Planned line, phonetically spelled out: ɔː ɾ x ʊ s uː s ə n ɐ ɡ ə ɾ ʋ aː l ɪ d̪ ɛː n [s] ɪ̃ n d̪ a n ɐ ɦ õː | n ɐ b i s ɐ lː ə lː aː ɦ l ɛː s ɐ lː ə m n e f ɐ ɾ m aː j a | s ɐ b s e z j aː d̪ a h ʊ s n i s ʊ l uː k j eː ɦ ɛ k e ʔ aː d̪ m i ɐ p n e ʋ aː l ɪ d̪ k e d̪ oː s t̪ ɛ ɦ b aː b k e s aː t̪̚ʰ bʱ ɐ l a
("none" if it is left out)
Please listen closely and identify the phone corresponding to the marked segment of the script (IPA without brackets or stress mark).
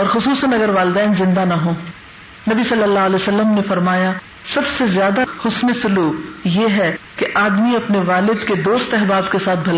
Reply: z